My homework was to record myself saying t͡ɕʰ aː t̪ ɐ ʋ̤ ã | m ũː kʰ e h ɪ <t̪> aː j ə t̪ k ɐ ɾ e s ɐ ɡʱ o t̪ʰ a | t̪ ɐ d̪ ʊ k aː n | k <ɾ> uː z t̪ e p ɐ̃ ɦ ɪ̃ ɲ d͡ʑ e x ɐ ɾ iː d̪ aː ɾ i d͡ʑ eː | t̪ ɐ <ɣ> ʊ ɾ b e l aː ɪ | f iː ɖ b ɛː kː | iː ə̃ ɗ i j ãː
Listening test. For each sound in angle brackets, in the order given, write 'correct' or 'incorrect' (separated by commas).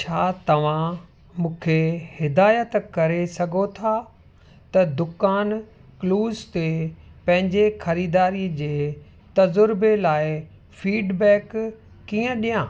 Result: incorrect, incorrect, incorrect